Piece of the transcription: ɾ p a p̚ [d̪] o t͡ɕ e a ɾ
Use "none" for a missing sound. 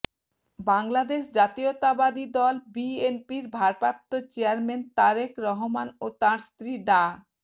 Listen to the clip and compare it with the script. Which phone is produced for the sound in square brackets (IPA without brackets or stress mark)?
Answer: t̪